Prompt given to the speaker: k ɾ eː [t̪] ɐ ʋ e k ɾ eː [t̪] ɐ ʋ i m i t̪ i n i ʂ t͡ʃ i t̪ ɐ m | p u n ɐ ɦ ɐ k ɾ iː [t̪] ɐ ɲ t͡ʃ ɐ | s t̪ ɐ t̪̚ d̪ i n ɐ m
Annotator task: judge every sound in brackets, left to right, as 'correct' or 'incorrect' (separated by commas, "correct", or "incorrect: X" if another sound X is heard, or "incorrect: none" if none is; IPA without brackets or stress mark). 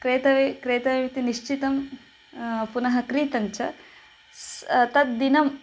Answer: correct, correct, correct